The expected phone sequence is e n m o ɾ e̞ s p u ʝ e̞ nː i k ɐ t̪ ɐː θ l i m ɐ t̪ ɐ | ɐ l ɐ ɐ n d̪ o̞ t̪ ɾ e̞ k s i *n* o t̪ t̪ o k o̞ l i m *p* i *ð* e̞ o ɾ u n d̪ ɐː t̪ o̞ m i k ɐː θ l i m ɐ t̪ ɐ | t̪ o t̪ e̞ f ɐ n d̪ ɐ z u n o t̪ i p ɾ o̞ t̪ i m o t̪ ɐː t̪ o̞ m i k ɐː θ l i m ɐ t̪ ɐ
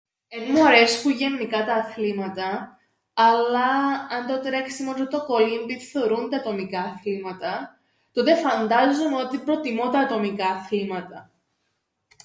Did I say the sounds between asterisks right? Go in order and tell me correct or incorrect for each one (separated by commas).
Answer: incorrect, incorrect, incorrect